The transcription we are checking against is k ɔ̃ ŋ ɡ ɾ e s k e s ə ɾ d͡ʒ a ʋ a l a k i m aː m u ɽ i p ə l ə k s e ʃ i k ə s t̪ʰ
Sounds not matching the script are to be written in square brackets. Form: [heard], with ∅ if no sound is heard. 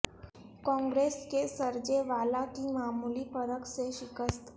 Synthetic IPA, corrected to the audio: k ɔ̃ ŋ ɡ ɾ e s k e s ə ɾ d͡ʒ [e] ʋ a l a k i m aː m u [l] i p ə [ɾ] ə k s e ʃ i k ə s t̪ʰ

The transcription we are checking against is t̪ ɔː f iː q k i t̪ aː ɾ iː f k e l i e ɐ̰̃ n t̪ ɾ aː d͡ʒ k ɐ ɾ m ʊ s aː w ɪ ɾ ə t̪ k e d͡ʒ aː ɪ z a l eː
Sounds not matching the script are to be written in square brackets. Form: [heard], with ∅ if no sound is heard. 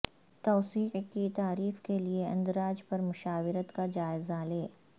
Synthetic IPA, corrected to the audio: t̪ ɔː [s] iː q k i t̪ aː ɾ iː f k e l i e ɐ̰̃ n [d̪] ɾ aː d͡ʒ [p] ɐ ɾ m ʊ [ʃ] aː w ɪ ɾ ə t̪ k [a] d͡ʒ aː ɪ z a l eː

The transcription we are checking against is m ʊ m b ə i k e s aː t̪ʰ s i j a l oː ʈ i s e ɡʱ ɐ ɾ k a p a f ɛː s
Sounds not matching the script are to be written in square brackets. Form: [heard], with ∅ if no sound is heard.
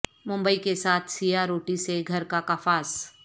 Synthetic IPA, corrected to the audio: m [ʊ̃] m b ə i k e s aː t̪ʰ s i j a [ɾ] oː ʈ i s e ɡʱ ɐ ɾ k a [k] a f [aː] s

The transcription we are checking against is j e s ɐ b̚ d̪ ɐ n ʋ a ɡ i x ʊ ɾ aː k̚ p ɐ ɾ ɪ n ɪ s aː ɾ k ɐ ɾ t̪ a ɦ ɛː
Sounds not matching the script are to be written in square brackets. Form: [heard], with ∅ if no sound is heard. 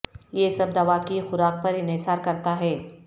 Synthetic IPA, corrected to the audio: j e s ɐ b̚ d̪ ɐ [∅] ʋ a [k] i x ʊ ɾ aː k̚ p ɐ ɾ ɪ n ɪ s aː ɾ k ɐ ɾ t̪ a ɦ ɛː

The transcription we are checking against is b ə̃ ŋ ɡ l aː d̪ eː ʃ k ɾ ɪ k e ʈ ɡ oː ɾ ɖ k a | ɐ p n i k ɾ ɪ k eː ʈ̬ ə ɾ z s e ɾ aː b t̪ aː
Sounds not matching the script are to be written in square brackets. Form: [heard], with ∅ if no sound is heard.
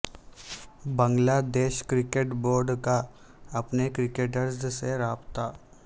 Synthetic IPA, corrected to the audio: b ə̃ ŋ ɡ l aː d̪ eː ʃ k ɾ ɪ k e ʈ [b] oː ɾ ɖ k a | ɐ p n [e] k ɾ ɪ k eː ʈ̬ ə ɾ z s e ɾ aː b t̪ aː

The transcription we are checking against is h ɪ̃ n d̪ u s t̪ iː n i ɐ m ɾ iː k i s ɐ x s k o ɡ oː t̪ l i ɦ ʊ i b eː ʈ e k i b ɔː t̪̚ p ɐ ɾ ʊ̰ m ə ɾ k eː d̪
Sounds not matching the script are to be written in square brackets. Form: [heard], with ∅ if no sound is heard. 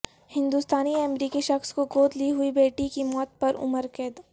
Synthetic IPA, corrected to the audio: h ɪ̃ n d̪ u s t̪ [aː] n i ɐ m ɾ iː k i [ʃ] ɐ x s k o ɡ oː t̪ l i ɦ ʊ i b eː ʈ [i] k i [m] ɔː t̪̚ p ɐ ɾ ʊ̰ m ə ɾ k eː d̪

